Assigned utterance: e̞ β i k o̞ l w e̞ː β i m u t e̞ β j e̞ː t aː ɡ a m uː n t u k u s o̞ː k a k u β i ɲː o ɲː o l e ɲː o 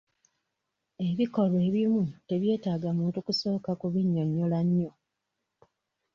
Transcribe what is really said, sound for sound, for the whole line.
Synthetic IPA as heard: e̞ β i k o̞ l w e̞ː β i m u t e̞ β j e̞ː t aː ɡ a m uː n t u k u s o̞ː k a k u β i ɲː o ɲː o l a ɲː o